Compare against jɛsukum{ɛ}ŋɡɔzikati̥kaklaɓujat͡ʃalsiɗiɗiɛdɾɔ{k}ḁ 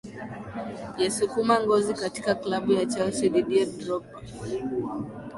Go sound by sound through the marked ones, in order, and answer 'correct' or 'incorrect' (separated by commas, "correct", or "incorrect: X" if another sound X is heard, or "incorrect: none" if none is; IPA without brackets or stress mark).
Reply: incorrect: a, incorrect: p